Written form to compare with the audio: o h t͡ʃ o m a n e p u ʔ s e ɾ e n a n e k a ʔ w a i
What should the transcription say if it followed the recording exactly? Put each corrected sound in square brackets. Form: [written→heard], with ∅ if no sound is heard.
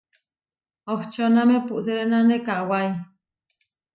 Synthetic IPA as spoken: o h t͡ʃ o [m→n] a [n→m] e p u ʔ s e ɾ e n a n e k a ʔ w a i